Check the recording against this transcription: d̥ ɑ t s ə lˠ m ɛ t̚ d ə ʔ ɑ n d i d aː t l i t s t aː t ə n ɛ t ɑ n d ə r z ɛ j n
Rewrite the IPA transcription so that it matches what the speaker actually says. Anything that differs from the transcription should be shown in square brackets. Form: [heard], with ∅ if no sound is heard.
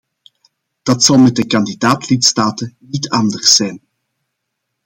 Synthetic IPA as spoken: d̥ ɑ t s [ɑ] lˠ m ɛ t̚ d ə [k] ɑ n d i d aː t l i t s t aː t ə n [i] t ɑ n d ə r [s] ɛ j n